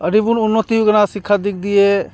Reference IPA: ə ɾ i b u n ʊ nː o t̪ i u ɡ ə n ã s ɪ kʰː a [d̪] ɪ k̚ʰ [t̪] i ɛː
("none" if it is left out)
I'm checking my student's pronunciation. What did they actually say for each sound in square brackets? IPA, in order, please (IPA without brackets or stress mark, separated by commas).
d̪, d̪